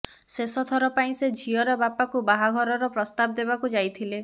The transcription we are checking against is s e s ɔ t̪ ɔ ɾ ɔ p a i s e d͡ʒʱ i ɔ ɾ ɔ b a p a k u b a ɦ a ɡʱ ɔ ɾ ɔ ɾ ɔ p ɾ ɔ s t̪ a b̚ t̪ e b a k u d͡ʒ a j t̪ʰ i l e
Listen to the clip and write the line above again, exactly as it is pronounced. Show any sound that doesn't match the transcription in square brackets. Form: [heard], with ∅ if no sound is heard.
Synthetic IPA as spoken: s e s ɔ [t̪ʰ] ɔ ɾ ɔ p a [ĩ] s e d͡ʒʱ i ɔ ɾ ɔ b a p a k u b a ɦ a ɡʱ ɔ ɾ ɔ ɾ ɔ p ɾ ɔ s t̪ a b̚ [d̪] e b a k u d͡ʒ a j t̪ʰ i l e

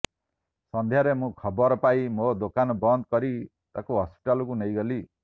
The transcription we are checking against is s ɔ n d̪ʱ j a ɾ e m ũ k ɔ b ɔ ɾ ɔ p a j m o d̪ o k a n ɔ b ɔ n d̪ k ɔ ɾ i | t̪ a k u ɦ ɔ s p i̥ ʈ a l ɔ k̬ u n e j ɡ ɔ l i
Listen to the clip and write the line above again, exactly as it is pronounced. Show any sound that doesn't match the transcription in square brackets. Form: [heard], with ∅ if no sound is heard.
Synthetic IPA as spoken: s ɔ n d̪ʱ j a ɾ e m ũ [kʰ] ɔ b ɔ ɾ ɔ p a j m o d̪ o k a n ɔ b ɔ n d̪ k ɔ ɾ i | t̪ a k u ɦ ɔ s p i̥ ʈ a l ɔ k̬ u n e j ɡ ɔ l i

